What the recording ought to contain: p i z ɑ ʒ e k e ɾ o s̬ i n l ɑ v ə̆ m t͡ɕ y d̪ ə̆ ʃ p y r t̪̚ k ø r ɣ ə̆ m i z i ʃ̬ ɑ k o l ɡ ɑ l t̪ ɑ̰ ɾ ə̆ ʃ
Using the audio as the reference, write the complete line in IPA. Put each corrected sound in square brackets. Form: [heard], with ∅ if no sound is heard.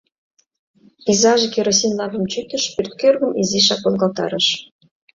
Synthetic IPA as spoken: p i z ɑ ʒ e k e ɾ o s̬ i n l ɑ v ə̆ m t͡ɕ y [t̪] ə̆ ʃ p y r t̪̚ k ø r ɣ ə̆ m i z i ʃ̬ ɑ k o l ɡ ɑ l t̪ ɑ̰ ɾ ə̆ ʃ